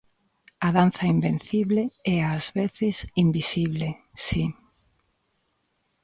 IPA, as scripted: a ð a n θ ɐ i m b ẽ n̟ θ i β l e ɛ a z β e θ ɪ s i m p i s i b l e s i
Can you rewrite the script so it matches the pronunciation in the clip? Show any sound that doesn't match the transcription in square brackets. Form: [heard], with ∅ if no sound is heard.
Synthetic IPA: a ð a n θ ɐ i m b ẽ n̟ θ i β l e ɛ a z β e θ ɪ s i m [b] i s i [β] l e s i